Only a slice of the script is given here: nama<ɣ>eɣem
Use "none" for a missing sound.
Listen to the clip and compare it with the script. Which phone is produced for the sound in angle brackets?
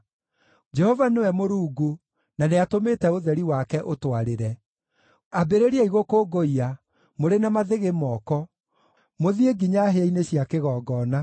ð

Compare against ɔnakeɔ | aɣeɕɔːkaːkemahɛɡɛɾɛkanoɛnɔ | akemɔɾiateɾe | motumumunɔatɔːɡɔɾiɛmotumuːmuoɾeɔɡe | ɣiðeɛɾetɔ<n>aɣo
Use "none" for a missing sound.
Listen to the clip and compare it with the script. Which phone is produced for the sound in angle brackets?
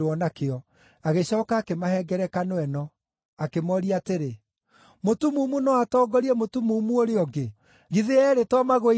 m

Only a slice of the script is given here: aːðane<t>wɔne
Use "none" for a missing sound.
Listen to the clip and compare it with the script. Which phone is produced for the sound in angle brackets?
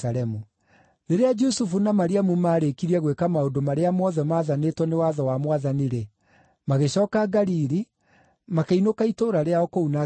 t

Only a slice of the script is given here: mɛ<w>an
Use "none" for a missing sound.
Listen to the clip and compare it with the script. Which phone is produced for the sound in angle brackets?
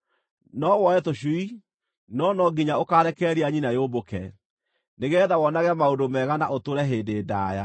ɣ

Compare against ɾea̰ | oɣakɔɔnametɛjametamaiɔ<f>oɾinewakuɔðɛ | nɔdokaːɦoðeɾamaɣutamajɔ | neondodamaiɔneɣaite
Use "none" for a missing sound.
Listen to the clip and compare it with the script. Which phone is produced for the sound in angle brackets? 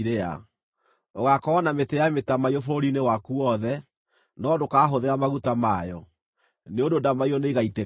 f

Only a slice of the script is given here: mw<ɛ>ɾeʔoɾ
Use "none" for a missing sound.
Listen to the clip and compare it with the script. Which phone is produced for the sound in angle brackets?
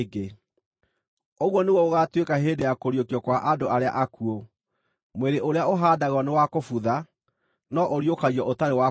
e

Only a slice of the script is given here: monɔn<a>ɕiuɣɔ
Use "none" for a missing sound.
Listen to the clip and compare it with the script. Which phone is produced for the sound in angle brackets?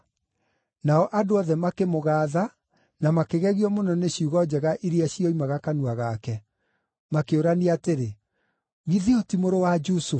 e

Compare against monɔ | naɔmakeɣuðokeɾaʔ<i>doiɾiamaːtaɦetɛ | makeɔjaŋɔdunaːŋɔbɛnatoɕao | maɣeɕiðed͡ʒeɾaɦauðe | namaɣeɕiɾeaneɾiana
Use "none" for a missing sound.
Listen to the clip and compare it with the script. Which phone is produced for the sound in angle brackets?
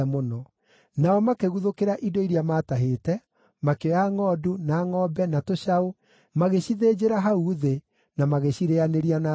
i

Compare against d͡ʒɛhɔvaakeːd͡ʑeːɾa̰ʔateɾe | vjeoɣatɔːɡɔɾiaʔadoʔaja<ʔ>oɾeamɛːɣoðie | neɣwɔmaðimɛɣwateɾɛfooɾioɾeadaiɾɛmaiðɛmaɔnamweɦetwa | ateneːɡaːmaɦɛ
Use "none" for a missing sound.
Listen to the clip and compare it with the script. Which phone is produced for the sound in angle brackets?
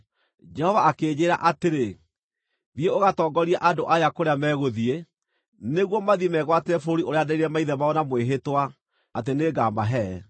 k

